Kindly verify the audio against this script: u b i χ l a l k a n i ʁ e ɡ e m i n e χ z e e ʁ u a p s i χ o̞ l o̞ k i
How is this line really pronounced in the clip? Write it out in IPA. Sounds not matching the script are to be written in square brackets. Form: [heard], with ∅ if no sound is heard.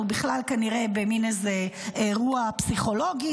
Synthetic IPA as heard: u b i χ l a l k a n i ʁ e [b] e m i n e [∅] z e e ʁ u a p s i χ o̞ l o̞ [ɡ] i

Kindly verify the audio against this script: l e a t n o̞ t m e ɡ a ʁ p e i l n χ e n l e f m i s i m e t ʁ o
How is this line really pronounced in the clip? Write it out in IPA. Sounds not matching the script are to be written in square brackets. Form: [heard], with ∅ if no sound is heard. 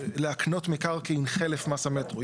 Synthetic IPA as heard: l e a [k] n o̞ t m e [k] a ʁ [k] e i [∅] n χ e [∅] l e f m [a] s [a] m e t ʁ o

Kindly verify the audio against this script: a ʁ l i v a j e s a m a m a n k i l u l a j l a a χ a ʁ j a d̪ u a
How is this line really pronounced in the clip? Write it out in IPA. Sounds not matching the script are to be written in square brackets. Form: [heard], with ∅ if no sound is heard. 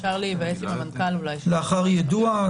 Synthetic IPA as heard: a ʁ l i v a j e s [i] m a m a n k [a] l u l a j l [e] a χ a ʁ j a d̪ u a

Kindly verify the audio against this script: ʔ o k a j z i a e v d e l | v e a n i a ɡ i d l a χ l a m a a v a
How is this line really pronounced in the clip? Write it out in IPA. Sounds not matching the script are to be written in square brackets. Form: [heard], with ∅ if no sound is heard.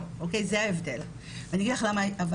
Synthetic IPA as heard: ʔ o k [e] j z [e] a e v d e l | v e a n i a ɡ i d l a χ l a m a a v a

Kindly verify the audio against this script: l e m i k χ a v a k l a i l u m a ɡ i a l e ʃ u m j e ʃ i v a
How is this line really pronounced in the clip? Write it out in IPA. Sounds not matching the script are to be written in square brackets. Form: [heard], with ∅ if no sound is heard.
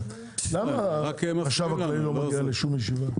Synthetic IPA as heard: l [a] m [a] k [ʃ] a v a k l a i l [o] m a ɡ i a l e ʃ u m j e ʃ i v a

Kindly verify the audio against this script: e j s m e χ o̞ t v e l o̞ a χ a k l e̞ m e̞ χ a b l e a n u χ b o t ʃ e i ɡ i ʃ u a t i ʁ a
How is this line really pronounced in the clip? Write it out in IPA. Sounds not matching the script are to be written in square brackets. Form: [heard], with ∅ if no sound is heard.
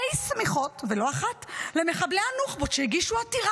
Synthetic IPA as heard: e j s m [i] χ o̞ t v e l o̞ a χ a [t] l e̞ m e̞ χ a b l e a n u χ b o t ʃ e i ɡ i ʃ u a t i ʁ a

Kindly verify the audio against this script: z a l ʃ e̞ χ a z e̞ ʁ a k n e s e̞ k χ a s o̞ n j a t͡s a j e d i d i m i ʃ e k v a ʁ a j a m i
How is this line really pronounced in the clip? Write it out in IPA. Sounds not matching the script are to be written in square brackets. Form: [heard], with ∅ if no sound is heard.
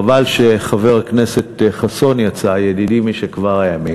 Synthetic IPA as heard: [v] a l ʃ e̞ χ a [v] e̞ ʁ a k n e s e̞ [t] χ a s o̞ n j a t͡s a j e d i d i m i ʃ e k v a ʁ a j a m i

